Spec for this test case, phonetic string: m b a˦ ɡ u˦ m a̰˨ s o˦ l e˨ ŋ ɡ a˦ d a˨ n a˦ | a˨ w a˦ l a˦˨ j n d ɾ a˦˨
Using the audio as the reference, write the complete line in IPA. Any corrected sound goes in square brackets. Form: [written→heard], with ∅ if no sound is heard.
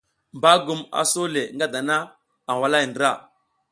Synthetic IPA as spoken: m b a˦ ɡ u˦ m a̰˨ s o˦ l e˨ ŋ ɡ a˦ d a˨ n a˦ | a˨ w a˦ l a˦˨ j n d ɾ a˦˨